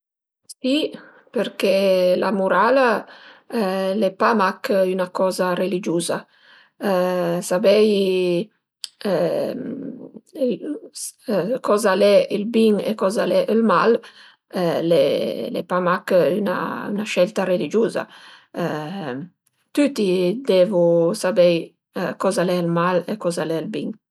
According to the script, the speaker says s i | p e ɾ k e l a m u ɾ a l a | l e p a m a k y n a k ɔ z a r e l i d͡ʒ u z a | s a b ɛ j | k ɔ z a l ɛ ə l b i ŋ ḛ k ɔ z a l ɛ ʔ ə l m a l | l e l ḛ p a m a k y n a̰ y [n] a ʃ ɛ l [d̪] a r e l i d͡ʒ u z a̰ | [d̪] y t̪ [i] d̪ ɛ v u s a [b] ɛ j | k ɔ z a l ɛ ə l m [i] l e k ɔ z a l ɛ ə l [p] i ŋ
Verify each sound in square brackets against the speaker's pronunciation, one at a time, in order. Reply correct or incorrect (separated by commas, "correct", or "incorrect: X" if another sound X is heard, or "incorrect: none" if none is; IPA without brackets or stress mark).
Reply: correct, incorrect: t̪, incorrect: t̪, correct, correct, incorrect: a, incorrect: b